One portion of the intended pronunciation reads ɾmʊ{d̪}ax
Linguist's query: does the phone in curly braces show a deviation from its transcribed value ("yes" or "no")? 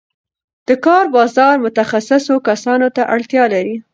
yes